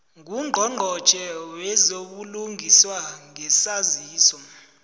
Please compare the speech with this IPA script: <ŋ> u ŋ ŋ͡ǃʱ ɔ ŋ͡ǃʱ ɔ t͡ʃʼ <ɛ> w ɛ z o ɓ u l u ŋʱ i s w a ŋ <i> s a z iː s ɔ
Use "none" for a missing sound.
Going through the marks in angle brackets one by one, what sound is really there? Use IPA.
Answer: ŋ, ɛ, ɛ

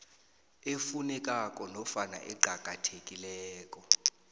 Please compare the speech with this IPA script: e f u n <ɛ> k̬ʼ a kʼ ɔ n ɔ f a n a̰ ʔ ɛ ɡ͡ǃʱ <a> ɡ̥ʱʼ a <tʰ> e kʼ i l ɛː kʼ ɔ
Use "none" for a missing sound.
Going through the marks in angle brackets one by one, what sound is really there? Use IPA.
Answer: ɛ, a, tʰ

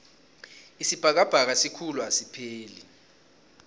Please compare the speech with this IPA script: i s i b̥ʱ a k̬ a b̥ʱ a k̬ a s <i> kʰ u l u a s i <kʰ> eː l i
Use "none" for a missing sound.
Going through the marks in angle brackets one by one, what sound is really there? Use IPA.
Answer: i, pʰ

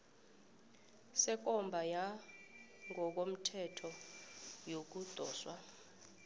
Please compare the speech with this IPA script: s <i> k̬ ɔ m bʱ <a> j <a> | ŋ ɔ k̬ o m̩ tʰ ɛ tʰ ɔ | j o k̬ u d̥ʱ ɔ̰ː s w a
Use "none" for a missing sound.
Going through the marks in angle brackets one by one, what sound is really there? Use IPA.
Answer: ɛ, a, a

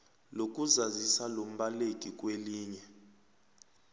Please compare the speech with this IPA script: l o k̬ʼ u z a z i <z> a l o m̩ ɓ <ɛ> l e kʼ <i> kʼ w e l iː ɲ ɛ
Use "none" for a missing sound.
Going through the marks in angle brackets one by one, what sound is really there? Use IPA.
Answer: s, a, i

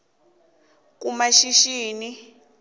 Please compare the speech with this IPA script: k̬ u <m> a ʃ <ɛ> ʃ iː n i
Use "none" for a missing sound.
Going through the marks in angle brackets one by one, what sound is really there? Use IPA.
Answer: m, i

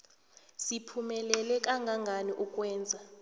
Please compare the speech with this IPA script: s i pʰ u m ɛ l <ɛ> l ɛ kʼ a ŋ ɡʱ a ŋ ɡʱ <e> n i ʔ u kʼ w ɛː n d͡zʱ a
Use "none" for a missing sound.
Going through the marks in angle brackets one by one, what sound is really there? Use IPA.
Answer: ɛ, a

